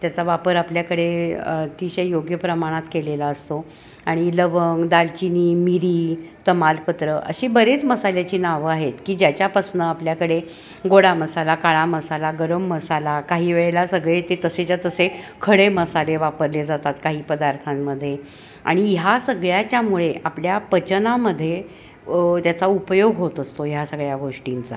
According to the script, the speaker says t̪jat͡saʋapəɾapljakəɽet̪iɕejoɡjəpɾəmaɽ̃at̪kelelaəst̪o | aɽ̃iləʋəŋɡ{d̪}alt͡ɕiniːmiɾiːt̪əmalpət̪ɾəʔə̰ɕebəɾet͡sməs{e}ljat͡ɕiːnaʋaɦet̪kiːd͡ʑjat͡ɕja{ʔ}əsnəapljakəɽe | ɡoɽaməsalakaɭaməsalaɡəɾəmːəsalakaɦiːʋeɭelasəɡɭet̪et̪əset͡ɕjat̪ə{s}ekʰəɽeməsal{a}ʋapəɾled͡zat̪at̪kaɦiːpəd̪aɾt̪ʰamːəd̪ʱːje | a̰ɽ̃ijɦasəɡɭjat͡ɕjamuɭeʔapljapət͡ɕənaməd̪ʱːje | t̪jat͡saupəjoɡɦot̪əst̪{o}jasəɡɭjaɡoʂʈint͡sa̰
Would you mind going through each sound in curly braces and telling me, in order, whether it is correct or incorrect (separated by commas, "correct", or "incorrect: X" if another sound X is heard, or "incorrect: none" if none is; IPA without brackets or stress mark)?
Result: correct, incorrect: a, incorrect: p, correct, incorrect: e, correct